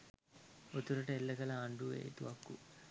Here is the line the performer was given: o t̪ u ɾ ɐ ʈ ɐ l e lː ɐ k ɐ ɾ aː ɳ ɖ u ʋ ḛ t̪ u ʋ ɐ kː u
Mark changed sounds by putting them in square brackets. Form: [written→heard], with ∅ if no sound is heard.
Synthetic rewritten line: o t̪ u ɾ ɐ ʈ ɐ [l→∅] e lː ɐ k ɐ [ɾ→l] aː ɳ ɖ u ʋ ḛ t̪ u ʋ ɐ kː u